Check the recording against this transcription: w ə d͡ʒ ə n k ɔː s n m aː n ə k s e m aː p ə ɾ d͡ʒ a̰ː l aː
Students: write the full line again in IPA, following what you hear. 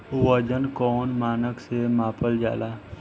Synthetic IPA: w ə d͡ʒ ə n k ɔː n m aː n ə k s e m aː p ə l d͡ʒ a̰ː l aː

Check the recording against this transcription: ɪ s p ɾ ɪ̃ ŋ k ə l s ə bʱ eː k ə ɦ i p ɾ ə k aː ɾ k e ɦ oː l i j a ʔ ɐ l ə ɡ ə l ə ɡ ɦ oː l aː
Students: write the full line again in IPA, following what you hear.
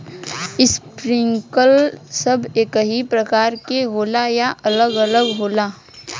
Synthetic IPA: ɪ s p ɾ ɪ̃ ŋ k ə l s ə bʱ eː k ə ɦ i p ɾ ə k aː ɾ k e ɦ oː l a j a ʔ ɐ l ə ɡ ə l ə ɡ ɦ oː l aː

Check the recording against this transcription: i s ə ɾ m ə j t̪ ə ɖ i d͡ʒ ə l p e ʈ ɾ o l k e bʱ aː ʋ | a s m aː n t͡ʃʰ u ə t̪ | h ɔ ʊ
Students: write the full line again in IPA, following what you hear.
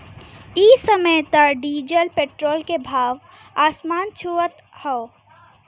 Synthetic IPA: i s ə m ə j t̪ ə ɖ i d͡ʒ ə l p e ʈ ɾ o l k e bʱ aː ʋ | a s m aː n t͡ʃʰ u ə t̪ | h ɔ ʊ

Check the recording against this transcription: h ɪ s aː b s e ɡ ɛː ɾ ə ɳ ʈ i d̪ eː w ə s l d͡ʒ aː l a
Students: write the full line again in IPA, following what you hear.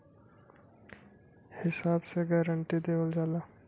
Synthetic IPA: h ɪ s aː b s e ɡ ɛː ɾ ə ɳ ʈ i d̪ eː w ə l d͡ʒ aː l a

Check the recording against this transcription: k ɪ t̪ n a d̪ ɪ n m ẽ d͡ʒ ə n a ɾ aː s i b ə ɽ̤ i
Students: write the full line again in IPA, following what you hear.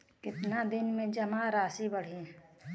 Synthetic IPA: k ɪ t̪ n a d̪ ɪ n m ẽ d͡ʒ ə m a ɾ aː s i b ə ɽ̤ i

